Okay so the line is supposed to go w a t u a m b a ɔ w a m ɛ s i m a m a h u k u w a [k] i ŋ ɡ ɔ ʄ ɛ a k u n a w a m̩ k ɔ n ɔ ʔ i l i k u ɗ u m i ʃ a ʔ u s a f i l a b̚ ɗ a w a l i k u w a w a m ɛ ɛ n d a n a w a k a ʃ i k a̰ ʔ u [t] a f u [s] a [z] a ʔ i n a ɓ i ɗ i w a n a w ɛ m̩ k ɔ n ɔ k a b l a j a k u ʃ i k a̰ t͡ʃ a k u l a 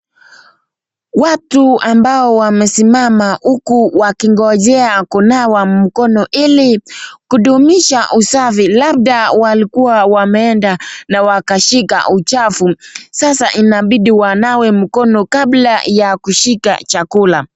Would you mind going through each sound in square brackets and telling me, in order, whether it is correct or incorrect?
correct, incorrect, correct, incorrect

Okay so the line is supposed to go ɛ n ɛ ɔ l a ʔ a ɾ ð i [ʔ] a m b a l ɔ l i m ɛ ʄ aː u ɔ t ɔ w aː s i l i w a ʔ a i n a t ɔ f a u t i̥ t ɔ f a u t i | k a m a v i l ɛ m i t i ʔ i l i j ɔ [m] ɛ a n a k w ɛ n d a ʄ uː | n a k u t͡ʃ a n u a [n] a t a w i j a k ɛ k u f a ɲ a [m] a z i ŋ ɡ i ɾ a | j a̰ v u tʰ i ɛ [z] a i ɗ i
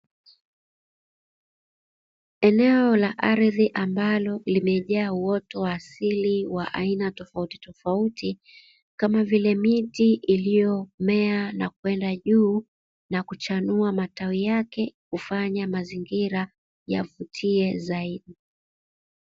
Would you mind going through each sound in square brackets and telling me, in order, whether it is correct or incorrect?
correct, correct, incorrect, correct, correct

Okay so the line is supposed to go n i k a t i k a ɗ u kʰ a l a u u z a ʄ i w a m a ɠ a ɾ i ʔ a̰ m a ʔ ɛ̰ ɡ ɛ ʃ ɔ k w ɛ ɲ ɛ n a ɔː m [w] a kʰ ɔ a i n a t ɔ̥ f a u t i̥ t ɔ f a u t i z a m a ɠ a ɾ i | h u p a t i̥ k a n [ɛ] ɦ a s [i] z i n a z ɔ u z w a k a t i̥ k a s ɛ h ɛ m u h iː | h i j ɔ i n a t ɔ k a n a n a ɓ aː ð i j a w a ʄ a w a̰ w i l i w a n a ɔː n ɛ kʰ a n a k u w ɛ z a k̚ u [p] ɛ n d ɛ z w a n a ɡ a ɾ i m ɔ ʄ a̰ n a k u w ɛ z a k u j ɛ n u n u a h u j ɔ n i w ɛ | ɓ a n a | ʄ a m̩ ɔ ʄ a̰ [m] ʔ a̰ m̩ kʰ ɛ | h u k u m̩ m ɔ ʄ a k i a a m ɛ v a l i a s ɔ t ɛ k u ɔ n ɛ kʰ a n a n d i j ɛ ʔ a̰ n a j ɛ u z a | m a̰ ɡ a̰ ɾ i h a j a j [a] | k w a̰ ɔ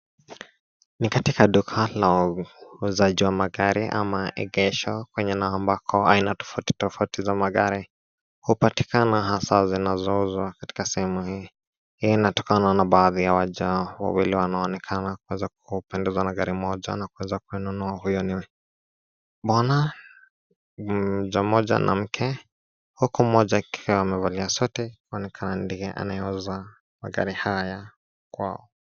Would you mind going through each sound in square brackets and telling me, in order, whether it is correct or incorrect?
incorrect, incorrect, incorrect, correct, incorrect, correct

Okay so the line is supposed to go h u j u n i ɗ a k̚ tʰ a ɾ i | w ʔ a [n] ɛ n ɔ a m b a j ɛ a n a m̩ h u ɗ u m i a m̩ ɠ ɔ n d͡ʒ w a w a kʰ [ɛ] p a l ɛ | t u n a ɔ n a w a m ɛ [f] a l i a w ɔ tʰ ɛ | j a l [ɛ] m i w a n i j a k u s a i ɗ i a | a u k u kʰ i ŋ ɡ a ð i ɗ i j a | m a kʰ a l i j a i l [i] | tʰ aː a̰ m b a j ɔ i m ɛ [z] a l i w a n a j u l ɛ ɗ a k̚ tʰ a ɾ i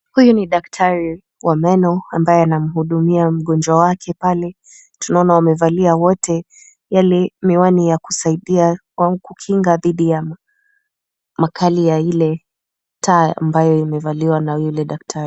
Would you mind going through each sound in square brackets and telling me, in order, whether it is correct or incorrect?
incorrect, correct, incorrect, correct, incorrect, incorrect

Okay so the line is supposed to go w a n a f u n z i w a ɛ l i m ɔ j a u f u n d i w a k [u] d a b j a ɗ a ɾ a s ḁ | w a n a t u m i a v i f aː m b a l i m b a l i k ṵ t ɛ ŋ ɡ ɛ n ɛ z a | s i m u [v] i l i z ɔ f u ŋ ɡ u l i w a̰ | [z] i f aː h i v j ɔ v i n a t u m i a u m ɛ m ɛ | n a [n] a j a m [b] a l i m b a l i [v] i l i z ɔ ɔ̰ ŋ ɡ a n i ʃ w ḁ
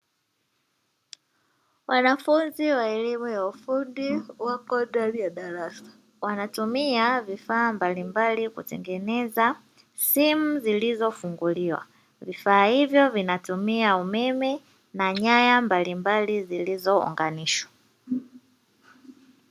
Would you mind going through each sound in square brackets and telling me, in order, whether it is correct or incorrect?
incorrect, incorrect, incorrect, incorrect, correct, incorrect

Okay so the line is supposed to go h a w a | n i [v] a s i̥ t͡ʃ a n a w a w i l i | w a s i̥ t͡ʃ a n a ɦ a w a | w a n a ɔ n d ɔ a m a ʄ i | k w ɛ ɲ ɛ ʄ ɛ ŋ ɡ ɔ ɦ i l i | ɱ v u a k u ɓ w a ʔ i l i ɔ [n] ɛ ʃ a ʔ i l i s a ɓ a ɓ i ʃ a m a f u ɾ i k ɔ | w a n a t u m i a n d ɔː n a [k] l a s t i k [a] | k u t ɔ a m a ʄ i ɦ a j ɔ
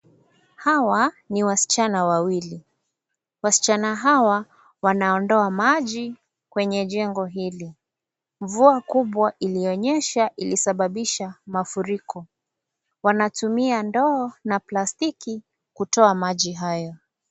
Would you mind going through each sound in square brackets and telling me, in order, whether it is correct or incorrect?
incorrect, incorrect, incorrect, incorrect

